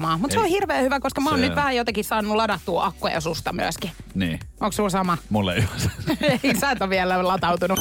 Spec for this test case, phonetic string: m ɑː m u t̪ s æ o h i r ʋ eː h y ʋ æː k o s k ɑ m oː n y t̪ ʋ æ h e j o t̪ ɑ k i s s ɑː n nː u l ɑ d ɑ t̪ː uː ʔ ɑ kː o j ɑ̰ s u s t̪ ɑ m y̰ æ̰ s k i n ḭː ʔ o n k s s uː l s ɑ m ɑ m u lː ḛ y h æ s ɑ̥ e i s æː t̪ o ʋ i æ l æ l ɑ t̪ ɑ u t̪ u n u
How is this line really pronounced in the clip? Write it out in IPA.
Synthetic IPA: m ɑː m u t̪ s e o h i r ʋ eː h y ʋ æ k o s k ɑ m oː n y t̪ ʋ æ h æ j o t̪ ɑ k i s s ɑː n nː u l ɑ d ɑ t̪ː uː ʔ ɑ kː o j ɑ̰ s u s t̪ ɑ m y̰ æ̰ s k i n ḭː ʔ o ŋ k s s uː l s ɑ m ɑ m u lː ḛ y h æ s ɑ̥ e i s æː t̪ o ʋ i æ l æ l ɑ t̪ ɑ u t̪ u n u